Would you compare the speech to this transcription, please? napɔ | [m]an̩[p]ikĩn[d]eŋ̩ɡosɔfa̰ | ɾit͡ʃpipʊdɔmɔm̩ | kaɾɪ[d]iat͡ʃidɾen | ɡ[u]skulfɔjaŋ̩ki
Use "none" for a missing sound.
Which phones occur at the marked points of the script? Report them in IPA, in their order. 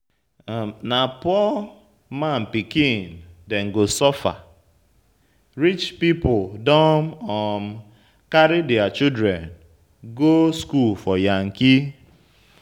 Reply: m, p, d, d, o

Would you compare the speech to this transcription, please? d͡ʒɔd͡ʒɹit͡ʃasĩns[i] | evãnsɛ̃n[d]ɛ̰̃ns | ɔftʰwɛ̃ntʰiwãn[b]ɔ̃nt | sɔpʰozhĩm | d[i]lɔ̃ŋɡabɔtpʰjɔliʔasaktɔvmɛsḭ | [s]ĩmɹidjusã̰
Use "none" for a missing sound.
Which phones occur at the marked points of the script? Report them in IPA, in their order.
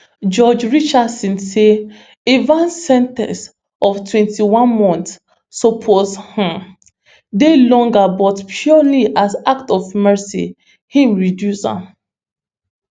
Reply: e, t, m, e, h

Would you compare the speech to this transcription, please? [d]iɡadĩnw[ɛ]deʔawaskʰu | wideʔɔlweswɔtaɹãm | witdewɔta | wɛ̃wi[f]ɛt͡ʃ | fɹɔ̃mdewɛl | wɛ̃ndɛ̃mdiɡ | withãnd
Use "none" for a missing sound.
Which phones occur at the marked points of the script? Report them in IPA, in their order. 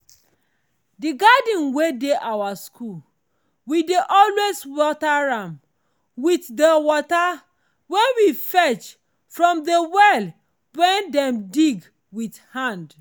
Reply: d, e, f

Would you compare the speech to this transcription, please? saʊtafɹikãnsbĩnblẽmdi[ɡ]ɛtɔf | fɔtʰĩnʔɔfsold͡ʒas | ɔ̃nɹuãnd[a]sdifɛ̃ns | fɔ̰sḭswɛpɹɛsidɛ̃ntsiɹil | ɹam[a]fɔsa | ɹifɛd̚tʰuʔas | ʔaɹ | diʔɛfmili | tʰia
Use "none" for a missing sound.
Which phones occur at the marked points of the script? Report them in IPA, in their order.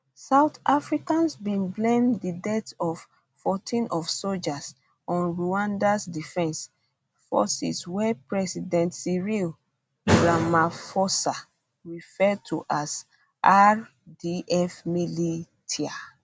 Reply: d, a, a

